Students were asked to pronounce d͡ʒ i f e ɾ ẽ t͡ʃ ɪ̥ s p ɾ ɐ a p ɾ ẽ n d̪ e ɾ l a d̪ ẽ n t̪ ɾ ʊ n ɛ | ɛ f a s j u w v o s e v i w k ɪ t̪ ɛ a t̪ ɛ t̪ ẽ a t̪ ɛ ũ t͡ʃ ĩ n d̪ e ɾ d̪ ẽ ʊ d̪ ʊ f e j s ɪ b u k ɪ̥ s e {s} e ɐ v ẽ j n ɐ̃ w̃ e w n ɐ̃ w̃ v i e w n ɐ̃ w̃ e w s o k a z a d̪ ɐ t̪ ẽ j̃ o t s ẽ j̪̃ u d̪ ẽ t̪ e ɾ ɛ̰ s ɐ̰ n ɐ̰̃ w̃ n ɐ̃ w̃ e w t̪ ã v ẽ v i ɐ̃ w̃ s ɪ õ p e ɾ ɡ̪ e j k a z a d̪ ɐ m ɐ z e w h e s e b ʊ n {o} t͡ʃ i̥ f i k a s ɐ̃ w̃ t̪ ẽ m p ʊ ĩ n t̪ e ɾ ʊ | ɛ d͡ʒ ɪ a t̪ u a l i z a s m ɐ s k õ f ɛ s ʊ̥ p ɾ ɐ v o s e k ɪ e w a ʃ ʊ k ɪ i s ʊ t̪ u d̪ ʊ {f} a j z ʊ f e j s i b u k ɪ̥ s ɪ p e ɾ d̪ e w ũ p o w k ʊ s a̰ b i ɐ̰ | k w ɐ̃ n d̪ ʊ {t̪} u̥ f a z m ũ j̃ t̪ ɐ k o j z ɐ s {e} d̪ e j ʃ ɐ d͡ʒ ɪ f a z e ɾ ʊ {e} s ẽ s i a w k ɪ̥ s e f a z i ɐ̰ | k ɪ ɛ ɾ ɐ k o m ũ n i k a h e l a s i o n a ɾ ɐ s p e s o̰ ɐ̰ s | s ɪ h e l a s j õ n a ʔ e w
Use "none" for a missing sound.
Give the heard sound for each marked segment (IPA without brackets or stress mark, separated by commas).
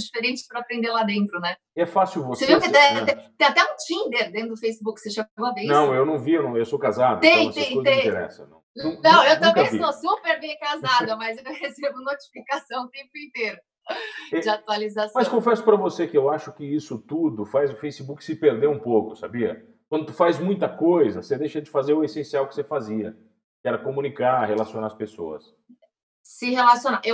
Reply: ʃ, o, f, t̪, e, e